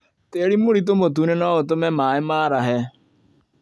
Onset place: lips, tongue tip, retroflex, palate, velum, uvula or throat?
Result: tongue tip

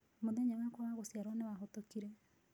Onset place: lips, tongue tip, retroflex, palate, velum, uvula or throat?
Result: lips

